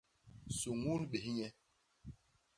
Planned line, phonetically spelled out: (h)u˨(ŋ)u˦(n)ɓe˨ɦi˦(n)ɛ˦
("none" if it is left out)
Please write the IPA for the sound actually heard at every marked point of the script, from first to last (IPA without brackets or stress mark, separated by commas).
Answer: s, ŋ, n, ɲ